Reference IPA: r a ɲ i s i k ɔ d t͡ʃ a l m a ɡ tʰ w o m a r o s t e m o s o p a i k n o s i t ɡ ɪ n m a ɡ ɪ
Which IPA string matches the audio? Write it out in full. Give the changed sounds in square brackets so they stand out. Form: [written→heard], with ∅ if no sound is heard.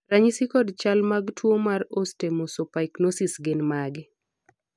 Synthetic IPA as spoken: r a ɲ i s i k ɔ d t͡ʃ a l m a ɡ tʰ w o m a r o s t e m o s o p a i k n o s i [t→s] ɡ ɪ n m a ɡ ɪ